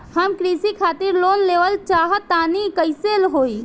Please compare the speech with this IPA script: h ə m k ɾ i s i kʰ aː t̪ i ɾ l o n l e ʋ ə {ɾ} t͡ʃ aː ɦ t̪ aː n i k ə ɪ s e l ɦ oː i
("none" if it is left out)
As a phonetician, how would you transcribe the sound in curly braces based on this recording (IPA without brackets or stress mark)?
l